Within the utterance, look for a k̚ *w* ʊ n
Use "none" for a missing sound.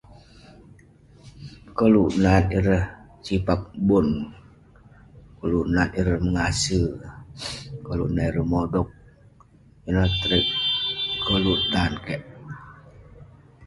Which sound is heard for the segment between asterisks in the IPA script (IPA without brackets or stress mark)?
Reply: b